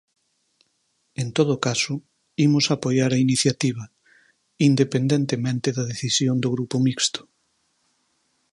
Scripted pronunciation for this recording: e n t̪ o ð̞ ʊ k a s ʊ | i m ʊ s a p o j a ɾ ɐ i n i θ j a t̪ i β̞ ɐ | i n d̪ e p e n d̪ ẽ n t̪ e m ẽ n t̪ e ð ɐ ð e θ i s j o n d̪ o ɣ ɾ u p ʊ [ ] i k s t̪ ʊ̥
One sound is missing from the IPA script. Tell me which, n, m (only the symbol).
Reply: m